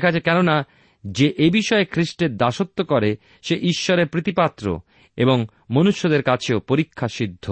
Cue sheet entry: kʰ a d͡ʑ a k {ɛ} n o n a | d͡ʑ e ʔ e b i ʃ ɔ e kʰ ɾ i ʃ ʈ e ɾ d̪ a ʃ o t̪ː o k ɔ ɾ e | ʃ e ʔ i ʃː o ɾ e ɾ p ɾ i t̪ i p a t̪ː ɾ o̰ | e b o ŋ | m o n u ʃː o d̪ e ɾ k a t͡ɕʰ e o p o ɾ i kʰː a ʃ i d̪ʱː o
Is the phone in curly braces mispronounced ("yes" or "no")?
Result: no